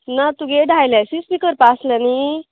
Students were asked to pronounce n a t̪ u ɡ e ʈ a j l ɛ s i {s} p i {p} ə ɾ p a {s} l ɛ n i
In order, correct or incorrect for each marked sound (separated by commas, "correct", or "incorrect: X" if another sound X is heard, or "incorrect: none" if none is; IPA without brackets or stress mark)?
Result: correct, incorrect: k, correct